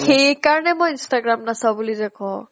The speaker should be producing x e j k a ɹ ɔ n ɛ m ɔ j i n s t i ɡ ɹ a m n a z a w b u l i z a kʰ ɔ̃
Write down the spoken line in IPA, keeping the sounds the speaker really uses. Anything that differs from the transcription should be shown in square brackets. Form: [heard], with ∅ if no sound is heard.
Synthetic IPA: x e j k a ɹ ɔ n ɛ m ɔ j i n s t [a] ɡ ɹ a m n a [s] a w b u l i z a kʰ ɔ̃